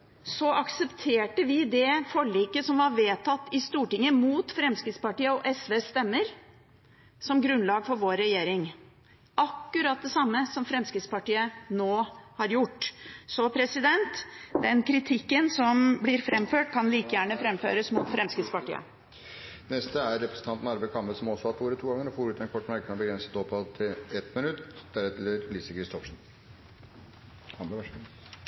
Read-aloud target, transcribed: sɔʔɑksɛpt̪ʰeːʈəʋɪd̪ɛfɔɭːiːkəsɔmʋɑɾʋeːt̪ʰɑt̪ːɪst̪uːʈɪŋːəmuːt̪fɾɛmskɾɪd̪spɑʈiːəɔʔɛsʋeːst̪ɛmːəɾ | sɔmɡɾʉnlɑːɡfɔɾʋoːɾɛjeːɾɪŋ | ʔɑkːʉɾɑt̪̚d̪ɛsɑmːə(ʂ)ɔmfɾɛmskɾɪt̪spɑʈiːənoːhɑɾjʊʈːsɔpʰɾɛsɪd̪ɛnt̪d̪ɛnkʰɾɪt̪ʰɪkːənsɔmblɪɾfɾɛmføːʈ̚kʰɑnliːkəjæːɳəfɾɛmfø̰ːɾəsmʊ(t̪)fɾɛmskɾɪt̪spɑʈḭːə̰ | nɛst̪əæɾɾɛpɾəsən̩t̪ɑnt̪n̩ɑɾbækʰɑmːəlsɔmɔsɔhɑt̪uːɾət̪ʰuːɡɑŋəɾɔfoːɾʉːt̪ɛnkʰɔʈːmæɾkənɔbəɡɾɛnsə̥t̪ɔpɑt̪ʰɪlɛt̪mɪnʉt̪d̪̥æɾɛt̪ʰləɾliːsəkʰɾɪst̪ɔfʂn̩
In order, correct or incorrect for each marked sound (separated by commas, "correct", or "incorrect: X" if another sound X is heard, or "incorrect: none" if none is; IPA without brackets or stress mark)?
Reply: incorrect: s, correct